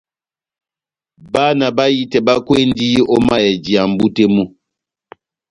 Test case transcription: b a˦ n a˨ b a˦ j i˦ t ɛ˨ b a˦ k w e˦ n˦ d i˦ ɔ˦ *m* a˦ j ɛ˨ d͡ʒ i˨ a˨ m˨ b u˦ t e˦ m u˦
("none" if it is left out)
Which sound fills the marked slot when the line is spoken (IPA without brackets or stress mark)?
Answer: m